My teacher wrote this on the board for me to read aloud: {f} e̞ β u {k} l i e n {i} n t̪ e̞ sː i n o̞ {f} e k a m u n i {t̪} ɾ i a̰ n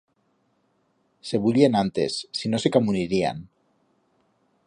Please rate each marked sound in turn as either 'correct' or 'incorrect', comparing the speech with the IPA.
incorrect: s, incorrect: none, incorrect: a, incorrect: s, incorrect: none

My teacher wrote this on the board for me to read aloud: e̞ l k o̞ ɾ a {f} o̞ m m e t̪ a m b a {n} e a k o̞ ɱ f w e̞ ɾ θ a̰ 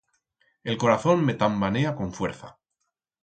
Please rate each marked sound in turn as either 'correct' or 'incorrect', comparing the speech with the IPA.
incorrect: θ, correct

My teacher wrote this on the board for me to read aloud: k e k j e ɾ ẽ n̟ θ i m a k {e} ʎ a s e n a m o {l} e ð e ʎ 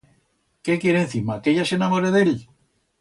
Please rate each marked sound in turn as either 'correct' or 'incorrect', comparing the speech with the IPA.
correct, incorrect: ɾ

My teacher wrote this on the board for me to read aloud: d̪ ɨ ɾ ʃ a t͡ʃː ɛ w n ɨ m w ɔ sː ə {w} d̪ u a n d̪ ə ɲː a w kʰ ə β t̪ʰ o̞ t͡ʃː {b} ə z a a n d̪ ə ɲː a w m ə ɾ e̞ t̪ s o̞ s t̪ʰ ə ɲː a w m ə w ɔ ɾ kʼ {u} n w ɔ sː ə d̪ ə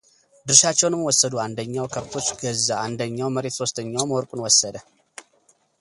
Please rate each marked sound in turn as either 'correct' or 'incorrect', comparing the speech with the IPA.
incorrect: none, incorrect: ɡ, correct

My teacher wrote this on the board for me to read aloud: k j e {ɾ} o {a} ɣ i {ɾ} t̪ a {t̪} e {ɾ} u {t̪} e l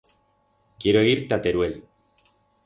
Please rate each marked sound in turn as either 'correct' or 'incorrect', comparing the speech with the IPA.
correct, incorrect: e, correct, correct, correct, incorrect: none

